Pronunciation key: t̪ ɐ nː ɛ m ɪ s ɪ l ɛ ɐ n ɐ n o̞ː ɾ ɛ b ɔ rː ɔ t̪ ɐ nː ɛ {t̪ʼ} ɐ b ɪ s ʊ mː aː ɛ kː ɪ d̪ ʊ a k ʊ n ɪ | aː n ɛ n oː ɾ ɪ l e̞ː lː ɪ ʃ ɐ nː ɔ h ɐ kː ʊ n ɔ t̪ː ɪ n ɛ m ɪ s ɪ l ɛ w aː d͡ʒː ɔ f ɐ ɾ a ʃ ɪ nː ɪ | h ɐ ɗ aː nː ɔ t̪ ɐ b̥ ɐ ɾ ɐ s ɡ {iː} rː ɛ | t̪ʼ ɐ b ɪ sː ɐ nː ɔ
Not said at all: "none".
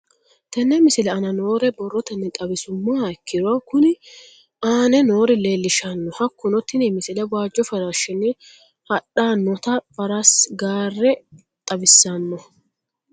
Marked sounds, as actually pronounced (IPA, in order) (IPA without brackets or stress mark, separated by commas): t̪ʼ, aː